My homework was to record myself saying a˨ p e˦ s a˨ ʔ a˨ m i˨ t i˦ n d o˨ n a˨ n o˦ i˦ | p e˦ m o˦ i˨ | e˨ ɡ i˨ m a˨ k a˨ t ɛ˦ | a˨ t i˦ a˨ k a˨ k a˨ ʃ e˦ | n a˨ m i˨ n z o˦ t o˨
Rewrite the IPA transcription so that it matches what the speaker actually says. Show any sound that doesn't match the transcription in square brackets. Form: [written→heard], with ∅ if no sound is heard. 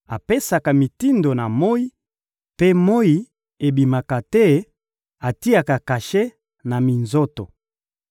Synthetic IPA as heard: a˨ p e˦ s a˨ [ʔ→k] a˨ m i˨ t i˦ n d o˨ n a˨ [n→m] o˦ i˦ | p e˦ m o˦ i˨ | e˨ [ɡ→b] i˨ m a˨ k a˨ t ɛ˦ | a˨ t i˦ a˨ k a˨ k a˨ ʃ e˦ | n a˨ m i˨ n z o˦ t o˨